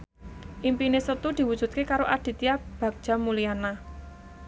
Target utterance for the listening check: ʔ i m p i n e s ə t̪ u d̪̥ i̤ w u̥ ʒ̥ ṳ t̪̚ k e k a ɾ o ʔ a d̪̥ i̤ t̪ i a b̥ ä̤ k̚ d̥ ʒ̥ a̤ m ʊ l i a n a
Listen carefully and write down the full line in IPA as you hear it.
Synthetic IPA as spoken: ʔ i m p i n e s ə t̪ u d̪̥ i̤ w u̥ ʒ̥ ṳ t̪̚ k e k a ɾ o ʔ a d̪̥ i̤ t̪ i a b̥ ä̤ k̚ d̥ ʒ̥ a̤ m u l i a n a